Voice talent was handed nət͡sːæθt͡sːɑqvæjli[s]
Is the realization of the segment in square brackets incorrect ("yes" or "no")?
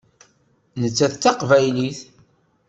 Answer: yes